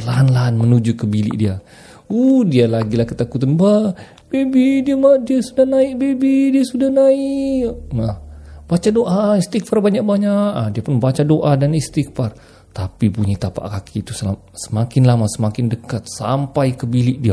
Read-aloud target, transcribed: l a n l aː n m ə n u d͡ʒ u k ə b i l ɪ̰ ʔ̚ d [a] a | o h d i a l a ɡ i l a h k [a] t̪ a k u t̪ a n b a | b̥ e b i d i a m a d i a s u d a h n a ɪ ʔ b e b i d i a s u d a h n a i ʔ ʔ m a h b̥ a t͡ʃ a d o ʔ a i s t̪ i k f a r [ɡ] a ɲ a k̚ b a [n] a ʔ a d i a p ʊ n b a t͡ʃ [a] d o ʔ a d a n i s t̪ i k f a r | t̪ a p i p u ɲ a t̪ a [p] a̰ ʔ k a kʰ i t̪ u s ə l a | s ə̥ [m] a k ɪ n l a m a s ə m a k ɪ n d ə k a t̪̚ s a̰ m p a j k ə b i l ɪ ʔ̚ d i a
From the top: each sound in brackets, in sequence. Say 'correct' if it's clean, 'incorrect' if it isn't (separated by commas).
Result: incorrect, incorrect, incorrect, incorrect, correct, correct, correct